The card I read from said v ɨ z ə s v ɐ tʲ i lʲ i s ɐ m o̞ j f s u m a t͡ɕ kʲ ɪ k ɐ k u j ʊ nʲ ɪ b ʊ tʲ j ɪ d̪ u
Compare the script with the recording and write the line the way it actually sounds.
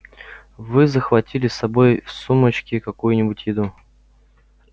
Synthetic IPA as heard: v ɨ z ə x v ɐ tʲ i lʲ ɪ s ɐ b o̞ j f s u m ə t͡ɕ kʲ ɪ k ɐ k u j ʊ nʲ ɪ b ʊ tʲ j ɪ d̪ u